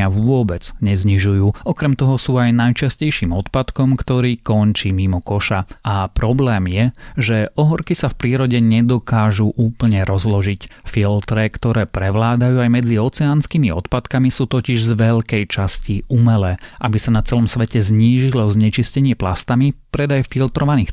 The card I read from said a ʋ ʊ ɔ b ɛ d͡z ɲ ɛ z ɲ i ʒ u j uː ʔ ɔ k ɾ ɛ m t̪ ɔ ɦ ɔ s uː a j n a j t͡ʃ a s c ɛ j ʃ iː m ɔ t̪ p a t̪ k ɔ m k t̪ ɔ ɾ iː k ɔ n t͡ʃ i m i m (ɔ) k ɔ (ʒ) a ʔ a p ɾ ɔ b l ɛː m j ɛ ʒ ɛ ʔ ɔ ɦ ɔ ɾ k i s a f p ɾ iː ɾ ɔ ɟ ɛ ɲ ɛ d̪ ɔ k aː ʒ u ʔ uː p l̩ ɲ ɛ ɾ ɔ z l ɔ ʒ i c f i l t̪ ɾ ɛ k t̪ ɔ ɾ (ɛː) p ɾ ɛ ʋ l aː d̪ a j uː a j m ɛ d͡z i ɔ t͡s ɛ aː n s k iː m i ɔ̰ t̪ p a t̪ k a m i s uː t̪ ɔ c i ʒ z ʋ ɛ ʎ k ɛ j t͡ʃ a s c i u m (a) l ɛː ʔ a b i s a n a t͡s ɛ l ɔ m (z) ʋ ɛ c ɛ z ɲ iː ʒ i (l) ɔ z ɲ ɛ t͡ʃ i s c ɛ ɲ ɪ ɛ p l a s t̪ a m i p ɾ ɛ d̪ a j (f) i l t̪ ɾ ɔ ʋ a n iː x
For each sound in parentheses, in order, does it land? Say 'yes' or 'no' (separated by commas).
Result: yes, no, yes, no, no, yes, yes